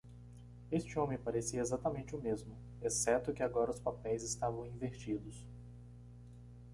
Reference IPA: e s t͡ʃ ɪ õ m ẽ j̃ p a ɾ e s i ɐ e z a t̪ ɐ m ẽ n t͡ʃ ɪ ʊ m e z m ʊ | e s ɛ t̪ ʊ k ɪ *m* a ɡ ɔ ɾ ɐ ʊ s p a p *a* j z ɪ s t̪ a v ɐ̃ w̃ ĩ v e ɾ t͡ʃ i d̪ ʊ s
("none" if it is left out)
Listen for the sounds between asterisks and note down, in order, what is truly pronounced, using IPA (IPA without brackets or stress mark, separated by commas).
none, ɛ